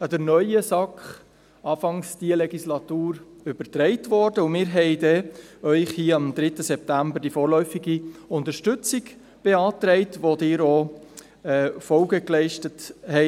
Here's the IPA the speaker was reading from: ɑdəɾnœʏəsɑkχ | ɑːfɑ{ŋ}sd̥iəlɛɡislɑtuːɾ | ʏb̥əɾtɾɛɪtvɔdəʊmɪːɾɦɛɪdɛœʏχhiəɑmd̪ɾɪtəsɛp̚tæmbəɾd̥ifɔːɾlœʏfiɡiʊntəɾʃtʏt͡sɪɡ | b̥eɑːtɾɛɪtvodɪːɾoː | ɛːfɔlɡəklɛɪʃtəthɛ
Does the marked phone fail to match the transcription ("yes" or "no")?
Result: no